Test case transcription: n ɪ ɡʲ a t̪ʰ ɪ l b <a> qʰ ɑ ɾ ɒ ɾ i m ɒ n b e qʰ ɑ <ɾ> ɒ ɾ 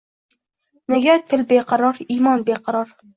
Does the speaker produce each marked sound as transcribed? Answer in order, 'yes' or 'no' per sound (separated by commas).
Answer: no, yes